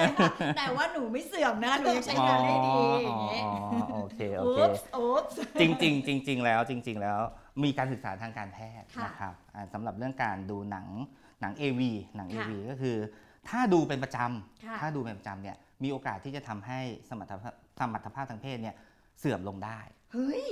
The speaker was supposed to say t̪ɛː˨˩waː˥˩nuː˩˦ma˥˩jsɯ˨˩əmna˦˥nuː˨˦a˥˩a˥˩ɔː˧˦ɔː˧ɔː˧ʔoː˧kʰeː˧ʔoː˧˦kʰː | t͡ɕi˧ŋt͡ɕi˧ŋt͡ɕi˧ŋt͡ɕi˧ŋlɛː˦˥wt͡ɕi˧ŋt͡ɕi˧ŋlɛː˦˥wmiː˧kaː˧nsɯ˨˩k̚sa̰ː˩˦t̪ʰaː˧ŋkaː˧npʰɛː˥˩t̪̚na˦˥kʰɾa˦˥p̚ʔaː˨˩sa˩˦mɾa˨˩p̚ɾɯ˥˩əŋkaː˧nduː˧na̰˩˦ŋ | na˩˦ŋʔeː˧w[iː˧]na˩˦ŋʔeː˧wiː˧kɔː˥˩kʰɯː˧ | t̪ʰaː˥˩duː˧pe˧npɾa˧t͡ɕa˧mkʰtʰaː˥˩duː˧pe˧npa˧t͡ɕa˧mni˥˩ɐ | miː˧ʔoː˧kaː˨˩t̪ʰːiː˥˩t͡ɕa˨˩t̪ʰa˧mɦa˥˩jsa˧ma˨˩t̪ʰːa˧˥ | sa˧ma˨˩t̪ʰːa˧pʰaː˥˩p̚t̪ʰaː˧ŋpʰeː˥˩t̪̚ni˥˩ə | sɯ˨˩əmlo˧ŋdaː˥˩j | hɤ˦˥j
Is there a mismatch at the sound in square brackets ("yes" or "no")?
no